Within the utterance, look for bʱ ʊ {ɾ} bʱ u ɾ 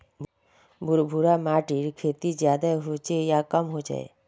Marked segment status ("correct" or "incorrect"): correct